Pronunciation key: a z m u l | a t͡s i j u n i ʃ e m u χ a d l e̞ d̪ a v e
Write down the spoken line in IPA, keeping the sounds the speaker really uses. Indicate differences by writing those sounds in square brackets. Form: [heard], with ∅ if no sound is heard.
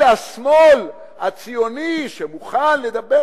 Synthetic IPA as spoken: a [s] m [o] l | a t͡s i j [o] n i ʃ e m u χ a [n] l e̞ d̪ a [b] e